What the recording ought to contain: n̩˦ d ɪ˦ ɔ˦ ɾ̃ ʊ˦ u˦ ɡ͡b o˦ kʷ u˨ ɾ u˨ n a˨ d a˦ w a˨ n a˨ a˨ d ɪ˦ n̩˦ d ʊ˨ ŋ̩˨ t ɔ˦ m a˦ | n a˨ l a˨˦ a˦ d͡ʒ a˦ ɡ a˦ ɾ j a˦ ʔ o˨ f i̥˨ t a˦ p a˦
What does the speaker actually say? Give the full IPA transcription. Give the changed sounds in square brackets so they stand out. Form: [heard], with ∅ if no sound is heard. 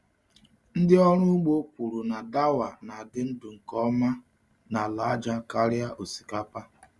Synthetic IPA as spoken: n̩˦ d ɪ˦ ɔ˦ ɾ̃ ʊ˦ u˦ ɡ͡b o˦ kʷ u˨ ɾ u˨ n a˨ d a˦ w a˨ n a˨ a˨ d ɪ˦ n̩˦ d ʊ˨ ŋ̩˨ [k] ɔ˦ m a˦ | n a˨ l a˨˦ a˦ d͡ʒ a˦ [k] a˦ ɾ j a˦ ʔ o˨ [s] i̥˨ [k] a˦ p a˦